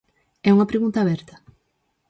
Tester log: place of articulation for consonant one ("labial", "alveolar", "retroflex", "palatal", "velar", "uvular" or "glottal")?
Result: velar